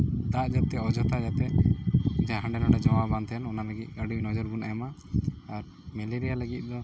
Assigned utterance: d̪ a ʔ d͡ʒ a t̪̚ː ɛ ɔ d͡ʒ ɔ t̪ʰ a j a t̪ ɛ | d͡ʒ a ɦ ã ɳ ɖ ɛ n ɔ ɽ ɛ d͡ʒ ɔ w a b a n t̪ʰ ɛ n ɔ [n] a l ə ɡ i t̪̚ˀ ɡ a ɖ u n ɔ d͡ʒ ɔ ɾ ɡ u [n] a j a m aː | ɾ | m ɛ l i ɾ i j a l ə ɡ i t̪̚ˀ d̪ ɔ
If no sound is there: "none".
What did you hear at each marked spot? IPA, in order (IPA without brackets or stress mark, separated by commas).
n, n